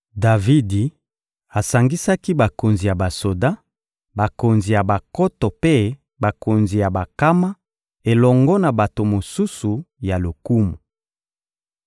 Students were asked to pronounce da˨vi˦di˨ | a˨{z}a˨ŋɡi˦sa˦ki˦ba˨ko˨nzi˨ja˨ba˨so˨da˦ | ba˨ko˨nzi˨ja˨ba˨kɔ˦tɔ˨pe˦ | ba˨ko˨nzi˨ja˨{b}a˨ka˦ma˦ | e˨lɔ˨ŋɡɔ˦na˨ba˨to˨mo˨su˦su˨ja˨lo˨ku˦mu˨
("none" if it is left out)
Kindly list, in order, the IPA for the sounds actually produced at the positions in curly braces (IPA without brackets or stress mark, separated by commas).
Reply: s, b